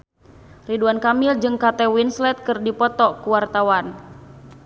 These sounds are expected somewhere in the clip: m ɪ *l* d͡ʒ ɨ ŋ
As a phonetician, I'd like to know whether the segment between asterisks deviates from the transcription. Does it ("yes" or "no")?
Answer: no